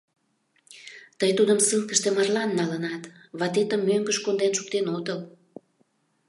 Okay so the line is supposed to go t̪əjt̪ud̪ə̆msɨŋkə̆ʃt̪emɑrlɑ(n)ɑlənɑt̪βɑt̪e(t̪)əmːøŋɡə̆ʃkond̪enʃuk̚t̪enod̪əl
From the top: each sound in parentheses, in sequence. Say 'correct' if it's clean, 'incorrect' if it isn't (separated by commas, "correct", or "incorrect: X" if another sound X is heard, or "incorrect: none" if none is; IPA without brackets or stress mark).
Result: incorrect: nː, correct